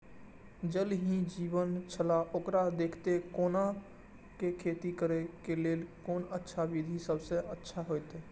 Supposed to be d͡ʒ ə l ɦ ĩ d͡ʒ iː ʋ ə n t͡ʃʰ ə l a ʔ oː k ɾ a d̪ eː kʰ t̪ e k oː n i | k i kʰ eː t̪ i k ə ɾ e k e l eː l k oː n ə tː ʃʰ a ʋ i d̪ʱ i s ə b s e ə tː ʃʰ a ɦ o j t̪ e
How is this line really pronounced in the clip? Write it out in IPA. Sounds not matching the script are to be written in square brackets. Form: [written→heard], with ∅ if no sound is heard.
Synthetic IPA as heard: d͡ʒ ə l ɦ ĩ d͡ʒ iː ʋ ə n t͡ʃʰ ə l a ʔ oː k ɾ a d̪ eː kʰ t̪ e k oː n [i→a] | k [i→e] kʰ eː t̪ i k ə ɾ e k e l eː l k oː n ə tː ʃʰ a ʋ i d̪ʱ i s ə b s e ə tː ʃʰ a ɦ o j t̪ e

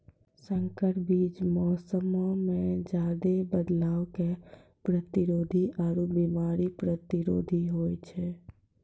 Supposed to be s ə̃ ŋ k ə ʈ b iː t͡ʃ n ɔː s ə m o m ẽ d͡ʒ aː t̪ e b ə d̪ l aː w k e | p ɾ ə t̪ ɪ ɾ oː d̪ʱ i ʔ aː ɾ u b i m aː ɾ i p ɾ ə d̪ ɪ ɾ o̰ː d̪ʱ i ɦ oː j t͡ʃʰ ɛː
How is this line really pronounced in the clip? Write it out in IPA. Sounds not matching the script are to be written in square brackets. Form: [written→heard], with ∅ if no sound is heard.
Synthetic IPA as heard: s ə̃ ŋ k ə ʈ b iː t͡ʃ [n→m] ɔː s ə m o m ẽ d͡ʒ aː [t̪→d̪] e b ə d̪ l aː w k e | p ɾ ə t̪ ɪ ɾ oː d̪ʱ i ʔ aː ɾ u b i m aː ɾ i p ɾ ə [d̪→t̪] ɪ ɾ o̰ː d̪ʱ i ɦ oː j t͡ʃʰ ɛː

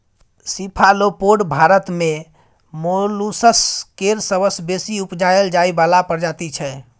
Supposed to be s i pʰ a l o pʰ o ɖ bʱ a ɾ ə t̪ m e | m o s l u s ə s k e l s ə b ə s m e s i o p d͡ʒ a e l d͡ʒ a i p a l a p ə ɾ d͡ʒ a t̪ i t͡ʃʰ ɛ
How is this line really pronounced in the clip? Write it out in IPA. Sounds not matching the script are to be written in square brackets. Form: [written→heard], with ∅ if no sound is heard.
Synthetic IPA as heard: s i pʰ a l o [pʰ→p] o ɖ bʱ a ɾ ə t̪ m e | m o [s→∅] l u s ə s k e [l→ɾ] s ə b ə s [m→b] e s i [o→u] p d͡ʒ a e l d͡ʒ a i [p→b] a l a p ə ɾ d͡ʒ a t̪ i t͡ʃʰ ɛ

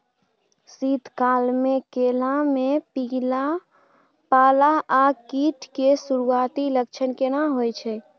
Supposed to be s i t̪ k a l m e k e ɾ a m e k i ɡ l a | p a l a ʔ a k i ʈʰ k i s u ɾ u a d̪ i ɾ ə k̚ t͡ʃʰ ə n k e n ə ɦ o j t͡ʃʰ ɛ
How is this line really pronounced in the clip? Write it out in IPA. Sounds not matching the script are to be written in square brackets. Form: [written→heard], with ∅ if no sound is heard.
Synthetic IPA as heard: s i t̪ k a l m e k e [ɾ→l] a m e [k→p] i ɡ l a | p a l a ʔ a k i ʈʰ k [i→e] s u ɾ u a [d̪→t̪] i [ɾ→l] ə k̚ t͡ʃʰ ə n k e n [ə→a] ɦ o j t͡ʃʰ ɛ

